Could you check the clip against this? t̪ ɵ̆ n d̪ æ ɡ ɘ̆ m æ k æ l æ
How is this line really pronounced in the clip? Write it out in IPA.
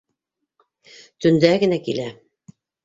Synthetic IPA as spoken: t̪ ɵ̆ n d̪ æ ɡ ɘ̆ n æ k i l æ